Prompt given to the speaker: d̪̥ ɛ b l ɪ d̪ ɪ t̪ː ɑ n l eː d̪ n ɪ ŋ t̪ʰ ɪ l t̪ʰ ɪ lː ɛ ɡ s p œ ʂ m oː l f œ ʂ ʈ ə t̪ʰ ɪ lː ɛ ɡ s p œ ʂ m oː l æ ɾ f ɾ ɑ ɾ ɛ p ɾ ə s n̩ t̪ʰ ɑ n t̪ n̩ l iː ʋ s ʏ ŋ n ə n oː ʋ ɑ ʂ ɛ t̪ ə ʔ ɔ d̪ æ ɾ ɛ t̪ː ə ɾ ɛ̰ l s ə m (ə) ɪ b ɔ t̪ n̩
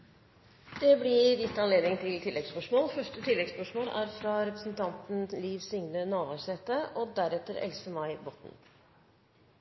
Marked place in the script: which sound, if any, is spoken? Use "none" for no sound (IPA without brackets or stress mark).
ɑ